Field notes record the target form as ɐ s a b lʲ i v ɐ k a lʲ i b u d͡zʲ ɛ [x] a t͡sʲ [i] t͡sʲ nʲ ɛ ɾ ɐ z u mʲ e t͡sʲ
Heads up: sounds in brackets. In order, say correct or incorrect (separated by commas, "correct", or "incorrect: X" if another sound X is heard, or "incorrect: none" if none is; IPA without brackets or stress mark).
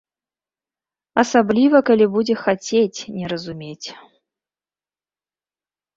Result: correct, incorrect: e